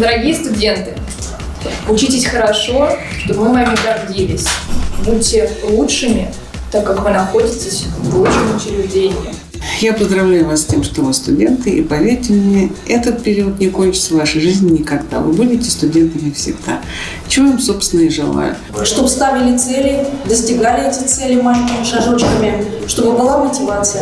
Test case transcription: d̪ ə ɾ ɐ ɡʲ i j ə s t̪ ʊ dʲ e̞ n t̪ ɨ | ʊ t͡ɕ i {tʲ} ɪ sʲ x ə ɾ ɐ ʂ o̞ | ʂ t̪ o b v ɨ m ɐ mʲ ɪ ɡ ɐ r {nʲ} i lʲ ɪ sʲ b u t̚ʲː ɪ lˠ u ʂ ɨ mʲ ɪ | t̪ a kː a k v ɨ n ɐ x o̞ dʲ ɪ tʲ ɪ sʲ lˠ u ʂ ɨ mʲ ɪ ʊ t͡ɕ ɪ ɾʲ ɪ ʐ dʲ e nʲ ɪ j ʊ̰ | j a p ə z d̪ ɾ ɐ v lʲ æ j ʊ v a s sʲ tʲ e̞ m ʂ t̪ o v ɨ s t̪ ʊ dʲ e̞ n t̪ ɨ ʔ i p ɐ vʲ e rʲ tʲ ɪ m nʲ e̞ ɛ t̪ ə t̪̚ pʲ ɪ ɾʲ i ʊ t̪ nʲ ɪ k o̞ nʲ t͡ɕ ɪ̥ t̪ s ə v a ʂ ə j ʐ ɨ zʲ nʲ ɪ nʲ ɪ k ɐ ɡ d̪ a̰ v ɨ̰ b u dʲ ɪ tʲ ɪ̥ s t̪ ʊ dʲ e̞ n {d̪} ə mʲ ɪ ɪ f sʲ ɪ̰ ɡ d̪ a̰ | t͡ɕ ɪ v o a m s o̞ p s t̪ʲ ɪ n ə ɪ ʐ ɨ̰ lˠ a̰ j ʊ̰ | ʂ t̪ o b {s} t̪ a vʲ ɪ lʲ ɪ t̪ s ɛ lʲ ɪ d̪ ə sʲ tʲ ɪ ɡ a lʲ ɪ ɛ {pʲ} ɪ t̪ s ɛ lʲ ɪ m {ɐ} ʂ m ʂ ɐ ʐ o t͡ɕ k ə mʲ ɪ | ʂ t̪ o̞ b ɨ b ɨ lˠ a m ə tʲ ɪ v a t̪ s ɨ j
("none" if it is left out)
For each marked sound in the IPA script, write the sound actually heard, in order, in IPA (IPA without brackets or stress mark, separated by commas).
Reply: tʲ, dʲ, t̪, s, tʲ, a